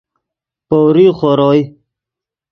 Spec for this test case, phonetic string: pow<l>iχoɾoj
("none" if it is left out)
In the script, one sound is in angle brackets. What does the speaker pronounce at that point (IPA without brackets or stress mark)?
ɾ